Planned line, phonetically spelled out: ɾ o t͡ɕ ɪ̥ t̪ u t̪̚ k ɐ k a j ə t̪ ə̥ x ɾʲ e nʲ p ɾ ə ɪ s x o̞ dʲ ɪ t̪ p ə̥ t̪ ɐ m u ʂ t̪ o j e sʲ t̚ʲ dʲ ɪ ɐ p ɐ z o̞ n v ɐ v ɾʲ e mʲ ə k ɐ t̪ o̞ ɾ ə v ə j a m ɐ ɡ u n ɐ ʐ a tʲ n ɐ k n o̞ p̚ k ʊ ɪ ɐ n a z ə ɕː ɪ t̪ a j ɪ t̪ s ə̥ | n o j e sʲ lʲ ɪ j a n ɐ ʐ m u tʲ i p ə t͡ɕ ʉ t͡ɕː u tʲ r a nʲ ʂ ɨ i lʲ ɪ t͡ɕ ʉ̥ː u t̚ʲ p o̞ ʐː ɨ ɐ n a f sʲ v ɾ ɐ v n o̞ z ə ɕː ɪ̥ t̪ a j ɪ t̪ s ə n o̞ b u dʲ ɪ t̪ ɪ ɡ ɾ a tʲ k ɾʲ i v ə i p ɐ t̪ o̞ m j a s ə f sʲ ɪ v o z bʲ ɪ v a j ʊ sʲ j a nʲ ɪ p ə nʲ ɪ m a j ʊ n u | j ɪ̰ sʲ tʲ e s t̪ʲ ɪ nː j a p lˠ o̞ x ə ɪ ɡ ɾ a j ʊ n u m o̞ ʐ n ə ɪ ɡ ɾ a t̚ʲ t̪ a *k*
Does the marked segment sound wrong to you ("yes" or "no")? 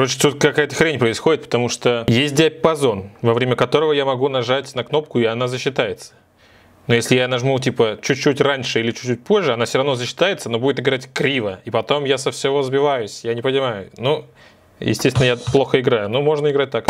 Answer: no